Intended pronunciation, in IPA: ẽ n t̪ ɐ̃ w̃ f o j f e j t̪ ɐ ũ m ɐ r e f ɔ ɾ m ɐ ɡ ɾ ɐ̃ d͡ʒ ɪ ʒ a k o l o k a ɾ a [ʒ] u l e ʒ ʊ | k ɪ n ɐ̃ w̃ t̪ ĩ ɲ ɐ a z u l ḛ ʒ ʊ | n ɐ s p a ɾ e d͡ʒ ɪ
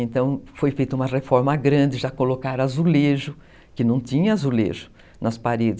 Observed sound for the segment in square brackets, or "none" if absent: z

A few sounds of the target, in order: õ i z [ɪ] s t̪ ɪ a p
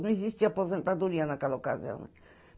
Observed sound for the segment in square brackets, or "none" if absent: i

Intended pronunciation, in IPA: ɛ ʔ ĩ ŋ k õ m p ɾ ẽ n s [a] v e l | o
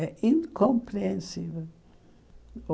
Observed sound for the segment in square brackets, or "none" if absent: i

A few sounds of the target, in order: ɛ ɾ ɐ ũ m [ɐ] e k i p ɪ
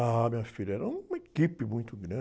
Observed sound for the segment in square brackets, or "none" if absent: ɐ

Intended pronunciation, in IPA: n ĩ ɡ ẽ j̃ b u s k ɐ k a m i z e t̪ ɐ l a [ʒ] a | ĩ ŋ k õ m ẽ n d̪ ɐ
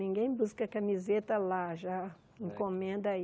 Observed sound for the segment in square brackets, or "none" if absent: ʒ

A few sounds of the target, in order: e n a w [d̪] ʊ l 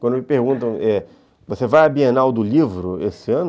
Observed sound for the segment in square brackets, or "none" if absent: d̪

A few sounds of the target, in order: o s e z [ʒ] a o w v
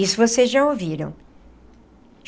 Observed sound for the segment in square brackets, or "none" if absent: ʒ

